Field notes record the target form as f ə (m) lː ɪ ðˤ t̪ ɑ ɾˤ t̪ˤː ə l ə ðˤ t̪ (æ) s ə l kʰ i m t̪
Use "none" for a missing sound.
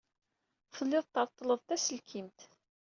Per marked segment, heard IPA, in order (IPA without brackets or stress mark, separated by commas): none, æ